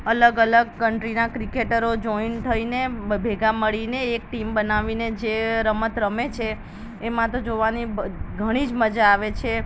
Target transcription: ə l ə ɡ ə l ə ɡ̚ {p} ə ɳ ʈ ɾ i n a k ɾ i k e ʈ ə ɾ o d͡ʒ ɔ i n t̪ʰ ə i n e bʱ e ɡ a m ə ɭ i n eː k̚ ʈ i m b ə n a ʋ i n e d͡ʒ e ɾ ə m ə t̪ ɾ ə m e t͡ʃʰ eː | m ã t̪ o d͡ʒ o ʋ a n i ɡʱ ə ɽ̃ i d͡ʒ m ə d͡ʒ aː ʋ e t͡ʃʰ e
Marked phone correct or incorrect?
incorrect